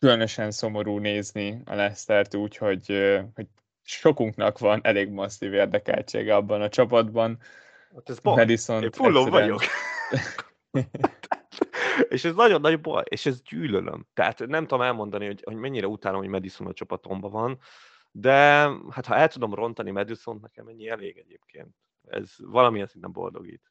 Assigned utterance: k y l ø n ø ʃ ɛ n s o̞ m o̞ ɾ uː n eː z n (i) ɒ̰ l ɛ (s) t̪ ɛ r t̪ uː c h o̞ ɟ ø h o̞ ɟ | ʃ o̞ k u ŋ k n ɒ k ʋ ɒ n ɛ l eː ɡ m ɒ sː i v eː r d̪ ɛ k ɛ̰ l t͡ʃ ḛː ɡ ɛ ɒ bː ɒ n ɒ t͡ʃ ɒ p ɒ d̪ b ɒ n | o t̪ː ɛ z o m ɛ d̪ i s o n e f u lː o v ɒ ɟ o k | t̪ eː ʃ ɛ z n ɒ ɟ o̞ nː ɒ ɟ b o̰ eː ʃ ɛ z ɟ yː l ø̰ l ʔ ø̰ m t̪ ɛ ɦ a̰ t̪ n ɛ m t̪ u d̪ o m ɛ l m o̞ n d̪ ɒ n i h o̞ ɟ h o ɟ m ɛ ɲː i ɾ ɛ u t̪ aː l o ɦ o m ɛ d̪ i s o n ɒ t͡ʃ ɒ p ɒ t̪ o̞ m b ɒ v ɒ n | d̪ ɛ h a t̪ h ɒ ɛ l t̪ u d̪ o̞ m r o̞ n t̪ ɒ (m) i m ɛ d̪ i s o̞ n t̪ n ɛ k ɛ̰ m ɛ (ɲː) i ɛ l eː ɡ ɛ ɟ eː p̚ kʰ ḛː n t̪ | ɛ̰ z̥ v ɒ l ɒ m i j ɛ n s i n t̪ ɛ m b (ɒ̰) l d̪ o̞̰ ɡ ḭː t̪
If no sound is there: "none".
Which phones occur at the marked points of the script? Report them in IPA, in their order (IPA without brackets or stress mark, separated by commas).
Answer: i, s, n, ɲː, o̰